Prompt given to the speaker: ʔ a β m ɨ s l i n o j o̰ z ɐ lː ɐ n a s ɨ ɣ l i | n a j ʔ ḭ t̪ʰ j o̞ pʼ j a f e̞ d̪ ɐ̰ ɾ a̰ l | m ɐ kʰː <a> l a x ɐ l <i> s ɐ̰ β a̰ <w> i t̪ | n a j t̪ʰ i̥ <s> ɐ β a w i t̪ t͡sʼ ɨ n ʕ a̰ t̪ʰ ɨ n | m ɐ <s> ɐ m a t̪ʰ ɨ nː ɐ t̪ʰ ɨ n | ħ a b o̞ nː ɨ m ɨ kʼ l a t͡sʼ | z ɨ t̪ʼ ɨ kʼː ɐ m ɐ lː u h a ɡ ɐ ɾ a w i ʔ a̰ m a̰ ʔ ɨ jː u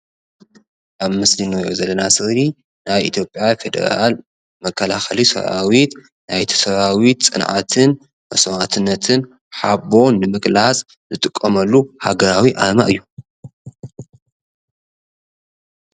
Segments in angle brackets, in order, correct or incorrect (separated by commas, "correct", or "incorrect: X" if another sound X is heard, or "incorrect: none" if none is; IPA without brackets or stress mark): incorrect: ɐ, correct, correct, correct, correct